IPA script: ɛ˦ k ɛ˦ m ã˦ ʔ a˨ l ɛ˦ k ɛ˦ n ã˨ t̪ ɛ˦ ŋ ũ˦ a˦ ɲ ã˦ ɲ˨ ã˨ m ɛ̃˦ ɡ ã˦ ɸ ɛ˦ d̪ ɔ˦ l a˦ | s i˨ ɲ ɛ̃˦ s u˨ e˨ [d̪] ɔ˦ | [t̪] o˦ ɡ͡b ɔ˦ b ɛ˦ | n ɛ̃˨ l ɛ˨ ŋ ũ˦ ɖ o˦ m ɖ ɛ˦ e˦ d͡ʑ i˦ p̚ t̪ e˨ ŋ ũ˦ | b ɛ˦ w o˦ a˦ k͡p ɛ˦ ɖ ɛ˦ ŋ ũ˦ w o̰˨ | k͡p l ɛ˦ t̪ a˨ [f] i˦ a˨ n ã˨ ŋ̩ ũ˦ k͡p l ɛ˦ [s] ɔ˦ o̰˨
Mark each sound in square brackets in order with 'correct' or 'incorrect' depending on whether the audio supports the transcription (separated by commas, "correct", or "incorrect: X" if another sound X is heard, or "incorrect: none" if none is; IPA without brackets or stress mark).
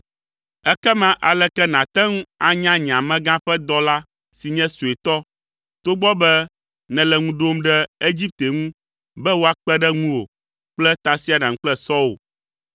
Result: incorrect: t̪, correct, incorrect: s, correct